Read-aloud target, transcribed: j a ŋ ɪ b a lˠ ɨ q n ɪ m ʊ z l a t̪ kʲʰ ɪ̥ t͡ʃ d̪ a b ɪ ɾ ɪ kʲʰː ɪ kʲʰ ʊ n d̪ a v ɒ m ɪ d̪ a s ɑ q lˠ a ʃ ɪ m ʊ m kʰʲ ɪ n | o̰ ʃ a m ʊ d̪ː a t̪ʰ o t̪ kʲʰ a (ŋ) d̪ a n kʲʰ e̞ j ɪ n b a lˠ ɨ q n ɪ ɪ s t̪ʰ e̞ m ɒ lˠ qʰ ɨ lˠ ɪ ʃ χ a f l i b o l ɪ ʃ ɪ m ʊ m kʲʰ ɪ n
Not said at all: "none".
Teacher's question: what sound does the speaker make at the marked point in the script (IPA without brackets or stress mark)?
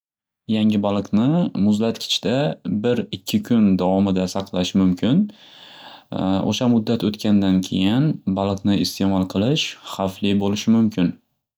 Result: n